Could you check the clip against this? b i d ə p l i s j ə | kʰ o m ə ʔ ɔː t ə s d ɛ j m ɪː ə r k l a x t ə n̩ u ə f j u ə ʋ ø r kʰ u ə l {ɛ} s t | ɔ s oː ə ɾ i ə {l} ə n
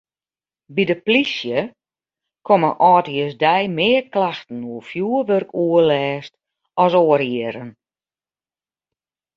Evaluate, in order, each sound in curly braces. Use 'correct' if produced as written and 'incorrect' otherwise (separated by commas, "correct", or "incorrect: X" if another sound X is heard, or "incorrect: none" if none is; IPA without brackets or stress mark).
incorrect: ɛː, incorrect: ɾ